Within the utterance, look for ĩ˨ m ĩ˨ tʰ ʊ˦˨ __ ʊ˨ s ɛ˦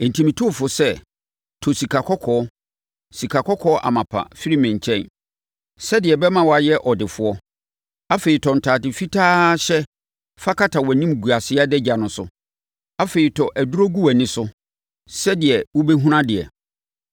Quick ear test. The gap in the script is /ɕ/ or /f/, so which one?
f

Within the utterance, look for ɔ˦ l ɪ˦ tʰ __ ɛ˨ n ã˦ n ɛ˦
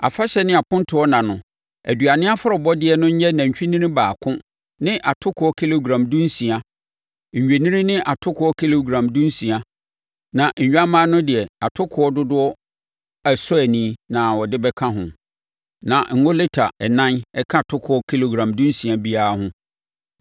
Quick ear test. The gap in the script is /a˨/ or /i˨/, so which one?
a˨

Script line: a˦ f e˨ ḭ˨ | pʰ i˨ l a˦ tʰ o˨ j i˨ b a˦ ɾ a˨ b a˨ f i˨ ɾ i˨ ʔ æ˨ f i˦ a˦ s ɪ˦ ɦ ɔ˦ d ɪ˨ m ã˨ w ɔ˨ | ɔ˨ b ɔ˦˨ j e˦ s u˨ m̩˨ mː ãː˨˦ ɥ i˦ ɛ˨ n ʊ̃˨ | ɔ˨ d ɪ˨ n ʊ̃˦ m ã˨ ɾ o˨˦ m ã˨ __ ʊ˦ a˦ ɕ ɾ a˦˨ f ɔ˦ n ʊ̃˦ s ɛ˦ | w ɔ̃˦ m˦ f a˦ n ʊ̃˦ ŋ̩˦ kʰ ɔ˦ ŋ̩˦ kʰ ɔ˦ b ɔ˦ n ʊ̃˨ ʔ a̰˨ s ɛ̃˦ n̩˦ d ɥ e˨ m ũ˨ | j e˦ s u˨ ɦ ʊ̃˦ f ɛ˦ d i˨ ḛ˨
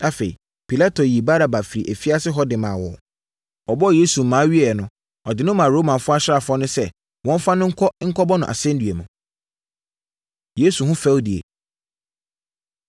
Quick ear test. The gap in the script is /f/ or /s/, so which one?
f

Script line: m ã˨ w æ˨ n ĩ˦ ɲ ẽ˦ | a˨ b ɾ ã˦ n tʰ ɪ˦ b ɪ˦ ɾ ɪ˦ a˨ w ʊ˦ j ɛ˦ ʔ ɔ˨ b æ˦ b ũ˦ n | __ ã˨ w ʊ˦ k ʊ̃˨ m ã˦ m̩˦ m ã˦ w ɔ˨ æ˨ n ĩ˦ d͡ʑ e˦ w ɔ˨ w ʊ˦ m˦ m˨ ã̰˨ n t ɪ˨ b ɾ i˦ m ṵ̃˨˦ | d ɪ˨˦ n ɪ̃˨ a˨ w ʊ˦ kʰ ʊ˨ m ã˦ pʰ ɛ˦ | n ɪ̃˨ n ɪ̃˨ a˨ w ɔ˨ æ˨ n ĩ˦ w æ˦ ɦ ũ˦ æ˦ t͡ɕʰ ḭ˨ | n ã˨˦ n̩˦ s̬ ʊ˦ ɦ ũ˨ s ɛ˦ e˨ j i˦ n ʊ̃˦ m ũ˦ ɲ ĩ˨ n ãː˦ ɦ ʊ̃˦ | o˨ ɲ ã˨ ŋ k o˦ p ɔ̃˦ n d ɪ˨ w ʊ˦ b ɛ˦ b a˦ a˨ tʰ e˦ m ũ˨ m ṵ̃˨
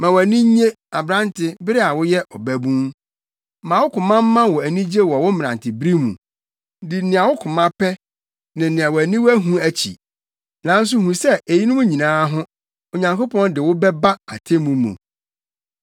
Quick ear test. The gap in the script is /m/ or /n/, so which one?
m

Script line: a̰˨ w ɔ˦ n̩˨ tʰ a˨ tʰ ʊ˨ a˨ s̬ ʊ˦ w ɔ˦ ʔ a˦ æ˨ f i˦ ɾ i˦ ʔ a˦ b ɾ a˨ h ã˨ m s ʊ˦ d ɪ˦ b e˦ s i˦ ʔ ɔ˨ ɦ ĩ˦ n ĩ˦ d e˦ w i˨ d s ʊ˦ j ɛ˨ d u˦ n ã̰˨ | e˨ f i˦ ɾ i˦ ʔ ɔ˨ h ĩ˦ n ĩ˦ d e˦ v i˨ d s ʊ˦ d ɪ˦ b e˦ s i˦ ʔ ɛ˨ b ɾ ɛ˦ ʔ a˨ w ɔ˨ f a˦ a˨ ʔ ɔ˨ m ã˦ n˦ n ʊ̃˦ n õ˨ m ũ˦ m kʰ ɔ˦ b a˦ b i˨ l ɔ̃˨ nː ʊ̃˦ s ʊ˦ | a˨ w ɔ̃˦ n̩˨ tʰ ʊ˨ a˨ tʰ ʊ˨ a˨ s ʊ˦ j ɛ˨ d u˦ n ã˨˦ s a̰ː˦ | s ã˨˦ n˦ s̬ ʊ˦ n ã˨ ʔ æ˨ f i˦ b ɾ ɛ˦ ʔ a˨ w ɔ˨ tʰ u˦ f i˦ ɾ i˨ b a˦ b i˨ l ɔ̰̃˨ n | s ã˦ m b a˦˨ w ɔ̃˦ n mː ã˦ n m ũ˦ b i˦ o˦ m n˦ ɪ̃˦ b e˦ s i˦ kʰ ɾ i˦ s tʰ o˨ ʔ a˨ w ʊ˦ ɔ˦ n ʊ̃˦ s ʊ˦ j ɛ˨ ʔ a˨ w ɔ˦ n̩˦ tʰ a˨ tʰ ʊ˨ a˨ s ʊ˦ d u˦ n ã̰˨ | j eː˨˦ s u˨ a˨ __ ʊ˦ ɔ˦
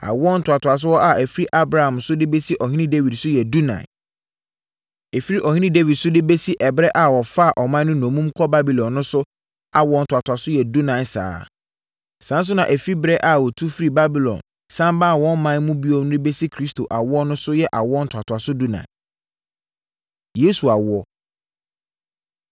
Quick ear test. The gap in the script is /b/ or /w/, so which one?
w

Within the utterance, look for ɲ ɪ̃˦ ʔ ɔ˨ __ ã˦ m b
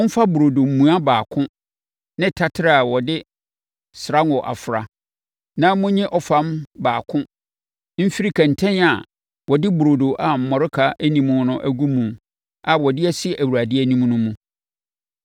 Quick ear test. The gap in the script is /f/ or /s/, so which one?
f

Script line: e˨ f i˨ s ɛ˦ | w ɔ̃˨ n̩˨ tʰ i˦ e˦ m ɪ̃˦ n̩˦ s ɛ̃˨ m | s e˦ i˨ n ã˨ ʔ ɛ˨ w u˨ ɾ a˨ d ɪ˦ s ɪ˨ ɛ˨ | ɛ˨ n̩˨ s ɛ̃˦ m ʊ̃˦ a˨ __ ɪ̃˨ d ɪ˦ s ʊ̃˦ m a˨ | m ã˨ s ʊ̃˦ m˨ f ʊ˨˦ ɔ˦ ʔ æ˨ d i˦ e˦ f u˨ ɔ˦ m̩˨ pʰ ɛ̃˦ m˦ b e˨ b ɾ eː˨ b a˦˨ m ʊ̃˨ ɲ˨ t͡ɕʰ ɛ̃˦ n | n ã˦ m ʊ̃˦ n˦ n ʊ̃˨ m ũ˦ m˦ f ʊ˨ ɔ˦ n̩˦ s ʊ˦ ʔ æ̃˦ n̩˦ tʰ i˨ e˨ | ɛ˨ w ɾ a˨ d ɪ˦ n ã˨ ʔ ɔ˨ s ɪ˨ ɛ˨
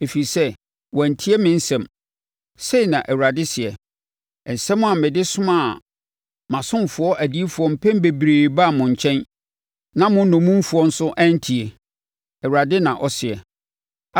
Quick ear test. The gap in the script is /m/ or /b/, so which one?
m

